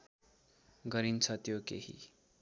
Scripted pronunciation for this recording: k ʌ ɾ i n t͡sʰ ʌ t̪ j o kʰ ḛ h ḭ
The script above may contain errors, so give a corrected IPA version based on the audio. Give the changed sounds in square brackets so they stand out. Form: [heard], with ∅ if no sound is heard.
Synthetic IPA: [ɡ] ʌ ɾ i n t͡sʰ ʌ t̪ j o [k] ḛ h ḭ